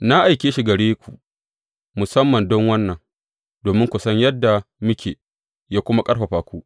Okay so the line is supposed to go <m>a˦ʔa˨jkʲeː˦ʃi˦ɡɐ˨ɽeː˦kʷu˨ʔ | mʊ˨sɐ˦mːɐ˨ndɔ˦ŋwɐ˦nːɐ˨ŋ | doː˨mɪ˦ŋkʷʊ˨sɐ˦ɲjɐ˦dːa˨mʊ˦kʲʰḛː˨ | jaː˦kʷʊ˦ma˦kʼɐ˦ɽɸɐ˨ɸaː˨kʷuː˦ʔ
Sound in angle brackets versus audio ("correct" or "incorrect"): incorrect